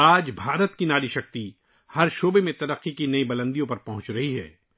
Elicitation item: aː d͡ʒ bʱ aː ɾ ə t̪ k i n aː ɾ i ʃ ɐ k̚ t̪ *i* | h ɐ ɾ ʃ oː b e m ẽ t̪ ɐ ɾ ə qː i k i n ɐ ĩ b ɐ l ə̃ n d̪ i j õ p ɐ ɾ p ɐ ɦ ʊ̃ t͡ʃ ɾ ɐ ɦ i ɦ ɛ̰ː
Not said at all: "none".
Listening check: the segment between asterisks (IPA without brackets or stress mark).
i